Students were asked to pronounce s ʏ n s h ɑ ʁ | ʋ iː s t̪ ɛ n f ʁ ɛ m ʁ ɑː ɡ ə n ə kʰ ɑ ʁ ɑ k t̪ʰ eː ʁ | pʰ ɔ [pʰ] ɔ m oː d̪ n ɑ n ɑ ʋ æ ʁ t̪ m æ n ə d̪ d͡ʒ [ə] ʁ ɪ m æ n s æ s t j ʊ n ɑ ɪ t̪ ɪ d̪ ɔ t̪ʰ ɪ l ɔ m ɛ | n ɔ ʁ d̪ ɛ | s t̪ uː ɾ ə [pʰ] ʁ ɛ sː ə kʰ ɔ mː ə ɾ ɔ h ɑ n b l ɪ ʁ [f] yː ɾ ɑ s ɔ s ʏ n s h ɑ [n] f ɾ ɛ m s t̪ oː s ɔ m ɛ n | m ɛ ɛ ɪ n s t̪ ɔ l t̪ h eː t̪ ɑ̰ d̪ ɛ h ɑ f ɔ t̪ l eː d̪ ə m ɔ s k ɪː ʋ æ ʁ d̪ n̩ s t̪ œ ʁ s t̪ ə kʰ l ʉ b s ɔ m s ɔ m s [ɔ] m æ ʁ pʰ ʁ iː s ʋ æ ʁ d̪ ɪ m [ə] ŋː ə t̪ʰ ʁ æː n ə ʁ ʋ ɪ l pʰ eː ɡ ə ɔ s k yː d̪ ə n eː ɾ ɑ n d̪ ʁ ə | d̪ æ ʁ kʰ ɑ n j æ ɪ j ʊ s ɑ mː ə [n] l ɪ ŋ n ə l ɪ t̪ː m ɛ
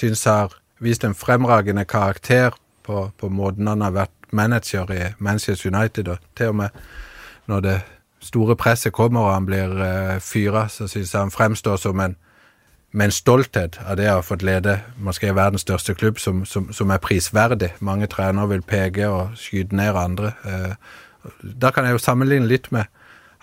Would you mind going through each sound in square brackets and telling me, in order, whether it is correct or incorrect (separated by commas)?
correct, correct, correct, correct, correct, correct, incorrect, correct